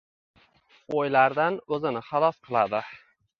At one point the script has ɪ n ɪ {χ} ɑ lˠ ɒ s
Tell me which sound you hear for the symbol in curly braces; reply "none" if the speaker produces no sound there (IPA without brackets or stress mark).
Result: χ